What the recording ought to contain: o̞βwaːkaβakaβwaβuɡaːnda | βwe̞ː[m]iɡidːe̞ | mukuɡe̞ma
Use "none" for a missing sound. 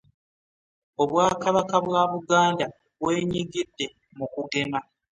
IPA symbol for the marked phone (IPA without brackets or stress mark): ɲ